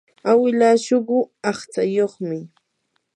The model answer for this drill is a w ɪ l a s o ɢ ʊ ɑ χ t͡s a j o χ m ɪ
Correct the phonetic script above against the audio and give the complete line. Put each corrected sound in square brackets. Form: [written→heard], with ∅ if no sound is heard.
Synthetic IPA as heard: a w ɪ l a [s→ʃ] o ɢ ʊ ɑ χ t͡s a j o χ m ɪ